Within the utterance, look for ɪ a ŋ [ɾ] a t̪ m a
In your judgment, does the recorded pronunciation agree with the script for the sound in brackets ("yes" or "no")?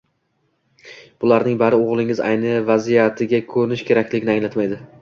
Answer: no